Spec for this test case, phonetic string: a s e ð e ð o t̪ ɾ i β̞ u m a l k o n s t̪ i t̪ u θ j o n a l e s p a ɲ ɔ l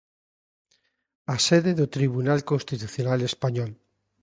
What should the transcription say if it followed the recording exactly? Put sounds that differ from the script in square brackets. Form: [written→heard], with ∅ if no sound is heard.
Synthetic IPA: a s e ð e ð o t̪ ɾ i β̞ u [m→n] a l k o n s t̪ i t̪ u θ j o n a l e s p a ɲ ɔ l